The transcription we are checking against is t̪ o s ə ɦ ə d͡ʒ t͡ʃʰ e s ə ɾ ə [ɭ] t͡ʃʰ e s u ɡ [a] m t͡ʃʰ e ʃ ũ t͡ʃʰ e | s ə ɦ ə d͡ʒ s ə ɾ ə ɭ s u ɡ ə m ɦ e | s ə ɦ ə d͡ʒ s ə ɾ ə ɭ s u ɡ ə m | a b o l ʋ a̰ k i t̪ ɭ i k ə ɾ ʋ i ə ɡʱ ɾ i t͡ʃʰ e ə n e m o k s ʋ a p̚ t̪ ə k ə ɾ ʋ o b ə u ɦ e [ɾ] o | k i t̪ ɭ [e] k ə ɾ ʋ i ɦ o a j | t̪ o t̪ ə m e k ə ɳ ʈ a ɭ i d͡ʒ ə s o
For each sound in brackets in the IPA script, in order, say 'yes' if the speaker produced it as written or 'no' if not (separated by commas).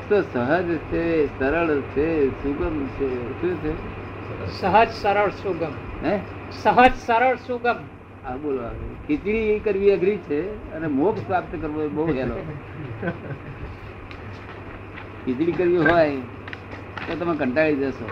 yes, no, no, no